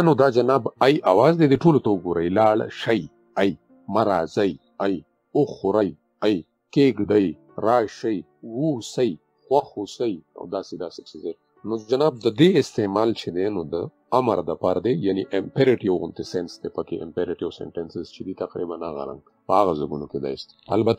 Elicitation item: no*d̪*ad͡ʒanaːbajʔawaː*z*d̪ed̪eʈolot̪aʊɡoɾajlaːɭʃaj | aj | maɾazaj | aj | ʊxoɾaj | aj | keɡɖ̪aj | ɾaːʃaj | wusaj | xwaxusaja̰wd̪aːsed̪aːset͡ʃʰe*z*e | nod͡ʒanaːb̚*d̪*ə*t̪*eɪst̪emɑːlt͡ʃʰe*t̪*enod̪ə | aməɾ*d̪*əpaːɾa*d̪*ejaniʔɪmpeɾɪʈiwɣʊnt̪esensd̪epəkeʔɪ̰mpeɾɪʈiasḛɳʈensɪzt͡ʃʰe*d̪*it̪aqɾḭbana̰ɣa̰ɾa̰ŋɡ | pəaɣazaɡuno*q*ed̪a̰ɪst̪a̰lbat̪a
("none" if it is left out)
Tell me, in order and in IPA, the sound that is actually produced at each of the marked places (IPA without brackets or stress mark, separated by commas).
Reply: d̪, z, z, d̪, d̪, d̪, d̪, d̪, d̪, k